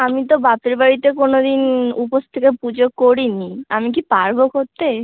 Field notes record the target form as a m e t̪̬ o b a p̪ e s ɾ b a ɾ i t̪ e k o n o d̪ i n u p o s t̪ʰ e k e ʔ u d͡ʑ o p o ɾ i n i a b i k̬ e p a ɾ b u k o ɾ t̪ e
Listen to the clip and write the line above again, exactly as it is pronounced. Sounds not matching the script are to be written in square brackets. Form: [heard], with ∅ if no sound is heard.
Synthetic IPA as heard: a m [i] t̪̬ o b a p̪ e [∅] ɾ b a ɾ i t̪ e k o n o d̪ i n u p o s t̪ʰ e k e [p] u d͡ʑ o [k] o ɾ i n i a [m] i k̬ [i] p a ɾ b [o] k o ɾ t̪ e